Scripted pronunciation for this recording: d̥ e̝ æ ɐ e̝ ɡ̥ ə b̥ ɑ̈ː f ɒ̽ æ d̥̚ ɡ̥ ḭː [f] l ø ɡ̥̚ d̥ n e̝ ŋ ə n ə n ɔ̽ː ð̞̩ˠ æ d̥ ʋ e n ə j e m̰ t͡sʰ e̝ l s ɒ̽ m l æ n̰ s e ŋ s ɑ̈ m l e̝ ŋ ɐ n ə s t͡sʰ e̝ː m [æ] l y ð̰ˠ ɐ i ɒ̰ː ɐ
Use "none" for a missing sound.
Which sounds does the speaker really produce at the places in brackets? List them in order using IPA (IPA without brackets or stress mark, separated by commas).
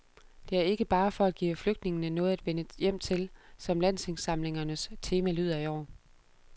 f, æ